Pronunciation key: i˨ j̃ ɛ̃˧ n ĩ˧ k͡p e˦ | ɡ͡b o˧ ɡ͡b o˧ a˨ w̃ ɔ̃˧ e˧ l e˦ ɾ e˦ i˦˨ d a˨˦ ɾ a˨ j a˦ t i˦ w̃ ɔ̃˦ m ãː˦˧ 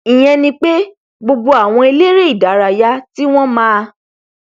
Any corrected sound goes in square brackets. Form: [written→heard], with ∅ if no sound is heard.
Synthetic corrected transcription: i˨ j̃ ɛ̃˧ n ĩ˧ k͡p e˦ | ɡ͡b o˧ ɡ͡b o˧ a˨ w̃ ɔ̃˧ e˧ l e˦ ɾ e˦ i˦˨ d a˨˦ ɾ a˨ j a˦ t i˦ w̃ ɔ̃˦ m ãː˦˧